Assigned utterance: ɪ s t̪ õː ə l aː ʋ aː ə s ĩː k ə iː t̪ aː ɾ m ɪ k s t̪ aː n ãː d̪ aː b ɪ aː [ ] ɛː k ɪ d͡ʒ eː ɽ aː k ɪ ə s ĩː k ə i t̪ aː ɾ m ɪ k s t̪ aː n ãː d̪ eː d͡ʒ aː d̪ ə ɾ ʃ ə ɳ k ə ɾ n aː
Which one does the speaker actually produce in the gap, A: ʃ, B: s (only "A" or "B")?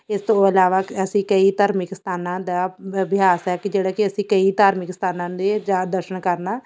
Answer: B